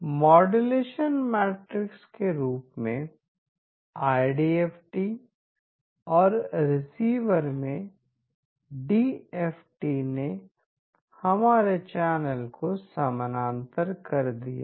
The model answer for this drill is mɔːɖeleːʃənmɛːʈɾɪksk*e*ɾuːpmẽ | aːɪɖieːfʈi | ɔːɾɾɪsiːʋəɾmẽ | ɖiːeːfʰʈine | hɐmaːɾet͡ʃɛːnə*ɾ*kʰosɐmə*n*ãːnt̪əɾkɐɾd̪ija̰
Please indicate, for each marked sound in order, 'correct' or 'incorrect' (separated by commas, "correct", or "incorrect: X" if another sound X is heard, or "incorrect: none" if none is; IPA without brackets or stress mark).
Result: correct, incorrect: l, correct